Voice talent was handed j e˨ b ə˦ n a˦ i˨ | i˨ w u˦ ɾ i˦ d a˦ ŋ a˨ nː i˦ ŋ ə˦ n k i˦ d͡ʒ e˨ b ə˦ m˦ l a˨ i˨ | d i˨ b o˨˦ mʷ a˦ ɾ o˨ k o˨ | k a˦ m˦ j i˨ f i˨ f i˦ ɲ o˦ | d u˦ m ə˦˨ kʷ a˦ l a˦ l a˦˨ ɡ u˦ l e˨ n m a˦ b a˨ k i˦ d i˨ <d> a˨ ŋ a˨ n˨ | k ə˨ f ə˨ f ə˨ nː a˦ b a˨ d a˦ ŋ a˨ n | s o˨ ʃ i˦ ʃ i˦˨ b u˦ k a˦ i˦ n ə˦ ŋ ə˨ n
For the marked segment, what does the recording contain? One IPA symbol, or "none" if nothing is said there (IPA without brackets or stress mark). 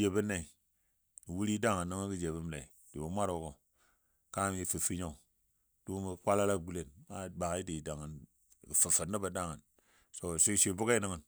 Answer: d